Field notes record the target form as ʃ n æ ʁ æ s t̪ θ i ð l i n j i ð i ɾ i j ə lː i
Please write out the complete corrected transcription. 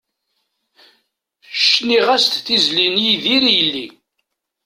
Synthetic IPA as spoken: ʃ n i ʁ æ s t̪ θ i z l i n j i ð i ɾ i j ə lː i